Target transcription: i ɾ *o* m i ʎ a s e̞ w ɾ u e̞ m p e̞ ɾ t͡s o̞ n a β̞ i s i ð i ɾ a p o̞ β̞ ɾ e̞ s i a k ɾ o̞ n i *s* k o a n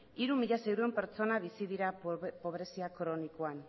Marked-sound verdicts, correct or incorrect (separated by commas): incorrect, incorrect